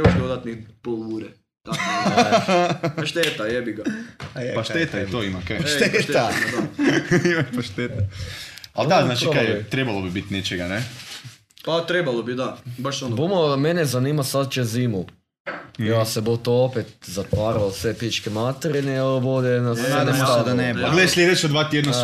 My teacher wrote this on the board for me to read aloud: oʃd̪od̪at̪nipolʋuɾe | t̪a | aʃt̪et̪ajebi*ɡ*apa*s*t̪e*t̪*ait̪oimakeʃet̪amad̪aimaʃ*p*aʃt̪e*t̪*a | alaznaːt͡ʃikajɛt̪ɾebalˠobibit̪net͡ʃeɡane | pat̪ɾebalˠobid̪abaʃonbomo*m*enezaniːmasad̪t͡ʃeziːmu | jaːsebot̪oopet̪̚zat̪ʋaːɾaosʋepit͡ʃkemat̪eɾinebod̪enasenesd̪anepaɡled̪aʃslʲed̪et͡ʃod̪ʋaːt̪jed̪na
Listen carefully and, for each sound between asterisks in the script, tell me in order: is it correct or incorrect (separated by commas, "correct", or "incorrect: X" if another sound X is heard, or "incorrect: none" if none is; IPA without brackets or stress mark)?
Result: correct, incorrect: ʃ, correct, correct, correct, correct